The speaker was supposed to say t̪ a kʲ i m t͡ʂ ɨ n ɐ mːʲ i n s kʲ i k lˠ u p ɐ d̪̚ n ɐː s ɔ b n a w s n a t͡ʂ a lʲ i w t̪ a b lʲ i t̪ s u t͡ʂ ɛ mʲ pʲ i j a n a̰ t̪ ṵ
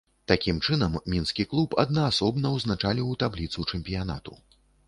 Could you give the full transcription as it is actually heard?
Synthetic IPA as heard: t̪ a kʲ i m t͡ʂ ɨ n ɐ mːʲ i n s kʲ i k lˠ u p ɐ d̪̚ n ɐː s ɔ b n ɐ w z n a t͡ʂ a lʲ i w t̪ a b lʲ i t̪ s u t͡ʂ ɛ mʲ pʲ i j a n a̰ t̪ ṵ